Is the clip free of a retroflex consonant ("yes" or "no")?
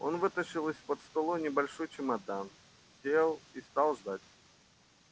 no